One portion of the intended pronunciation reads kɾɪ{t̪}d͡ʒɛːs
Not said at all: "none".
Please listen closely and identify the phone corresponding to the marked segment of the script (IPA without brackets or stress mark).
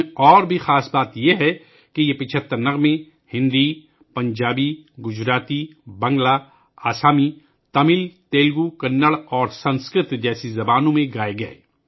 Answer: t̪